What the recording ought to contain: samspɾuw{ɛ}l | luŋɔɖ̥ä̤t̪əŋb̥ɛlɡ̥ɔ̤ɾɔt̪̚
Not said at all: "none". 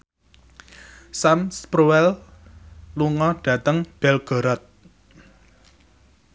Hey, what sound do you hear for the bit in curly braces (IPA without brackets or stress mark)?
ɛ